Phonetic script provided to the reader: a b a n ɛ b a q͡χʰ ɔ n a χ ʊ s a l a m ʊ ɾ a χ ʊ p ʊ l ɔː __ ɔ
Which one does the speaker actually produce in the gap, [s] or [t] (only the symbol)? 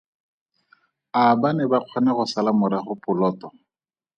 t